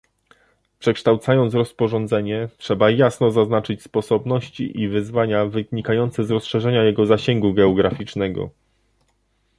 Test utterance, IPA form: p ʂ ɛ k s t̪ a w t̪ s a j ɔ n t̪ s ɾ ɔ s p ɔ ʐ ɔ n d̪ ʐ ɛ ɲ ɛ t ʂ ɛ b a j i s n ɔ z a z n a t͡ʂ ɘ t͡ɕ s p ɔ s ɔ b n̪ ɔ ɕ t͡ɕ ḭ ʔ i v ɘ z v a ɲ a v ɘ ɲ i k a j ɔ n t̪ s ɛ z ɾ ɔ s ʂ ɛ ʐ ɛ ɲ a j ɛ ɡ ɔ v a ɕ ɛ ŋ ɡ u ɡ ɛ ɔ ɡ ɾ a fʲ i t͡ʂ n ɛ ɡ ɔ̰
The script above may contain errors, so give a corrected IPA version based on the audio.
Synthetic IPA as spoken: p ʂ ɛ k ʂ t̪ a w t̪ s a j ɔ n t̪ s ɾ ɔ s p ɔ ʐ ɔ n d̪ z ɛ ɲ ɛ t ʂ ɛ b a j a s n ɔ z a z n a t͡ʂ ɘ t͡ɕ s p ɔ s ɔ b n̪ ɔ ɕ t͡ɕ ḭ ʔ i v ɘ z v a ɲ a v ɘ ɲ i k a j ɔ n t̪ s ɛ z ɾ ɔ s ʂ ɛ ʐ ɛ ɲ a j ɛ ɡ ɔ z a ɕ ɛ ŋ ɡ u ɡ ɛ ɔ ɡ ɾ a fʲ i t͡ʂ n ɛ ɡ ɔ̰